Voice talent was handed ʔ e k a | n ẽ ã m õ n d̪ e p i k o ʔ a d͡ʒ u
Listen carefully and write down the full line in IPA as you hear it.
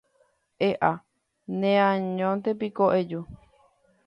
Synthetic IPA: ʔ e ʔ a | n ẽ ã ɲ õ n t̪ e p i k o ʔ e d͡ʒ u